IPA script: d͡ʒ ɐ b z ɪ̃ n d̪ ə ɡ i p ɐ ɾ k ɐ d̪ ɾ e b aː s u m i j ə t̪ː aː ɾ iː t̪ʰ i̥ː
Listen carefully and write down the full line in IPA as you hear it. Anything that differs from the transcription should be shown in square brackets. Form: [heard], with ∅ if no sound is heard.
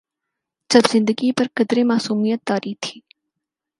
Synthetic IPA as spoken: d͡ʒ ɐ b z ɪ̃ n d̪ ə ɡ i p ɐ ɾ k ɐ d̪ ɾ e [m] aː s [uː] m i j ə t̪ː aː ɾ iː t̪ʰ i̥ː